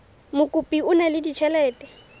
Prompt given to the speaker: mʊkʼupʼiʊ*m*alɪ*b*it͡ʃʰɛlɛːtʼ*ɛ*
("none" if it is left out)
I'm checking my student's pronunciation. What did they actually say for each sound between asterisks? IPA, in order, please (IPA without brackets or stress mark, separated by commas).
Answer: n, d, ɛ